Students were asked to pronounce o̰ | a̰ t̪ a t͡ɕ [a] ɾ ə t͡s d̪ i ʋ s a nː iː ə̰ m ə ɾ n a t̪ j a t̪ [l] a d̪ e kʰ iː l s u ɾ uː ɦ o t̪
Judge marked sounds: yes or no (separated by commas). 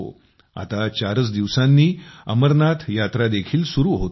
yes, no